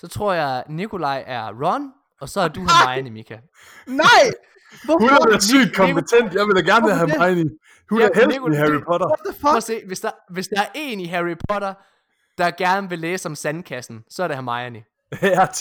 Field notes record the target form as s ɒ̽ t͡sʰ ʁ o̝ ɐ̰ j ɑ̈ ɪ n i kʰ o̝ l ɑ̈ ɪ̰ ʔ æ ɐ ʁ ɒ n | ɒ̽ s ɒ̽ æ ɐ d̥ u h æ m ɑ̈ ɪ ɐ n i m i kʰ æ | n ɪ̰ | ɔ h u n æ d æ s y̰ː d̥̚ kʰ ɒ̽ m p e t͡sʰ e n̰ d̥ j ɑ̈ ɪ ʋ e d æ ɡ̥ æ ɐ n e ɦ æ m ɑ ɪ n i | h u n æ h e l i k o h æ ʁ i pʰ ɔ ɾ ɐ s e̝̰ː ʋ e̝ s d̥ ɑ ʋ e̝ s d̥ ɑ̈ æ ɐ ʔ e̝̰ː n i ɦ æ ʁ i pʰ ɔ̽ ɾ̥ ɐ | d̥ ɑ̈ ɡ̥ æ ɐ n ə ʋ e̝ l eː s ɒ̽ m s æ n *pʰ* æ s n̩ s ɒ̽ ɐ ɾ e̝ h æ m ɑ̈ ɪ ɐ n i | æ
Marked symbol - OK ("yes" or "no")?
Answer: no